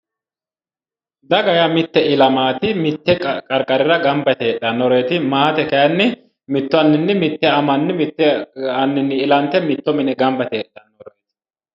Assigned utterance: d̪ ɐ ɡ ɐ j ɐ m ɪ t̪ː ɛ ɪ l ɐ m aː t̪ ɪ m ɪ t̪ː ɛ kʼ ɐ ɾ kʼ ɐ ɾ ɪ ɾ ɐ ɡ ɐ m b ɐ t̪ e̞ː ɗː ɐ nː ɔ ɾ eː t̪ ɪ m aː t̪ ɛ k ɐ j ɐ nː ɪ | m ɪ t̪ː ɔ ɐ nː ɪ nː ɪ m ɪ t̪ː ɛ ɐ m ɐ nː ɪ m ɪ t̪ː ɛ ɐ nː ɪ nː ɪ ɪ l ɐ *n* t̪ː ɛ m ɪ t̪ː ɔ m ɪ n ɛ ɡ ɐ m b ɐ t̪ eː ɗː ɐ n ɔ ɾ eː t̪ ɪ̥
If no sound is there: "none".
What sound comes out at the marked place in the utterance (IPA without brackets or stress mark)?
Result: n